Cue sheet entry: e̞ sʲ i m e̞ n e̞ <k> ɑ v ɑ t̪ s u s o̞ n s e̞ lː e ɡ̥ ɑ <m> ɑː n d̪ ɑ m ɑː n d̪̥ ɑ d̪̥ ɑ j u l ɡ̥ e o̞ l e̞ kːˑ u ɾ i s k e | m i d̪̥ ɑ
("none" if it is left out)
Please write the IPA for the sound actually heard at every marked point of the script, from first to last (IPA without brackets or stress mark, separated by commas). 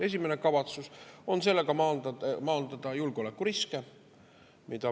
k, m